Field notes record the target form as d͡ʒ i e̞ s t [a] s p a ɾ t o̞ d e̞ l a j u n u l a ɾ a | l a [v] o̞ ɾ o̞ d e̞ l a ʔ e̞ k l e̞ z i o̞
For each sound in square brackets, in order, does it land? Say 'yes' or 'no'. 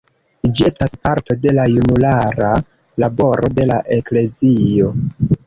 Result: yes, no

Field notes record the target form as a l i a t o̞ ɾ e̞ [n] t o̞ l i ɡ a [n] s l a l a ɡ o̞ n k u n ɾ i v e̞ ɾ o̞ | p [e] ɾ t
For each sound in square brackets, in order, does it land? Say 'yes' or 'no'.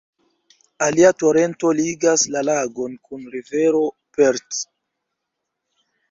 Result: yes, no, yes

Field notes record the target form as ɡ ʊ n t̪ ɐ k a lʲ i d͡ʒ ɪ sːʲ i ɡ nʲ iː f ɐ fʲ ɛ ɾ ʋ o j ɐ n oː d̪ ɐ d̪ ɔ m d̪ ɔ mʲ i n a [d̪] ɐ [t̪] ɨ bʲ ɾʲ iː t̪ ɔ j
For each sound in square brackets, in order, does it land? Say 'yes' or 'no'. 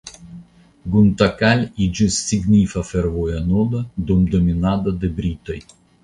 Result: yes, no

